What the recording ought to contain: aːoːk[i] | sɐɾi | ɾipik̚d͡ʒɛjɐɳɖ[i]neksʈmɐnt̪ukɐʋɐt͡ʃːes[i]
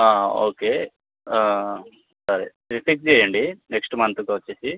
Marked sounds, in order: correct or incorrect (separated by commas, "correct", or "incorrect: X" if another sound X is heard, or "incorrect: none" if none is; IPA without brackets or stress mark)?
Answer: incorrect: e, correct, correct